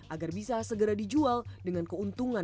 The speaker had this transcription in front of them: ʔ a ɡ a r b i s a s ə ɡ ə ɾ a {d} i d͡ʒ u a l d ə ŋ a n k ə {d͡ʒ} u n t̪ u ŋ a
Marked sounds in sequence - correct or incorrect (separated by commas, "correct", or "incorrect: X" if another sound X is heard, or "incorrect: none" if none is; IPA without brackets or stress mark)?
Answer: correct, incorrect: none